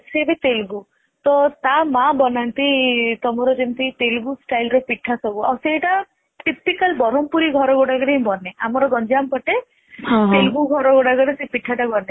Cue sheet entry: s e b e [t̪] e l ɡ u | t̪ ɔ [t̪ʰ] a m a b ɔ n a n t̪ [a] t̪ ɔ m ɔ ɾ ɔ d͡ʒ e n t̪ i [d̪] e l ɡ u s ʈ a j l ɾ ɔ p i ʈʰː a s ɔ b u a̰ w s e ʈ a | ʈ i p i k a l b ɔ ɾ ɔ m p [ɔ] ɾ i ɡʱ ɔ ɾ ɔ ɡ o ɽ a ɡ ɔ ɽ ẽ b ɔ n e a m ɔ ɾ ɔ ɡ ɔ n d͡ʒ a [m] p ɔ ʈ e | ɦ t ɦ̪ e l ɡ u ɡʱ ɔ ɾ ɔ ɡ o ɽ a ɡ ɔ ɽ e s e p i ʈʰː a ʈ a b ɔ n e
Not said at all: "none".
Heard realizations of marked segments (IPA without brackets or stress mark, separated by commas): t̪, t̪, i, t̪, u, m